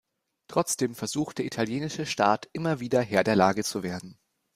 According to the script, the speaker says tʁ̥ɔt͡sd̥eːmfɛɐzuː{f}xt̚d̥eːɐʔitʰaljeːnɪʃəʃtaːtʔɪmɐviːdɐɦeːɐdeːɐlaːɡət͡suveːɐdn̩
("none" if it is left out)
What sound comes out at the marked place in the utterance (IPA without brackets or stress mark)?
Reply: none